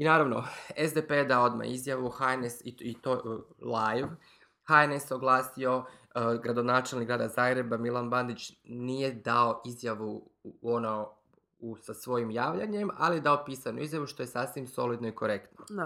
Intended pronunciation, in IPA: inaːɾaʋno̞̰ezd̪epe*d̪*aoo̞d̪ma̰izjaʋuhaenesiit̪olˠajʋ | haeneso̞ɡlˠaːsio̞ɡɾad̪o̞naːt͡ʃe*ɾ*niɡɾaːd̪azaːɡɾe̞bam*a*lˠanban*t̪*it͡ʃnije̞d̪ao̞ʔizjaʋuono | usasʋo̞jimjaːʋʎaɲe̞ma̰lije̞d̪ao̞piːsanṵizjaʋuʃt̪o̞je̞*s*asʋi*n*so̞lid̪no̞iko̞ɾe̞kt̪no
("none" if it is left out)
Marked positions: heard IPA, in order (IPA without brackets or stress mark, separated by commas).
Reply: d̪, l, i, d̪, s, m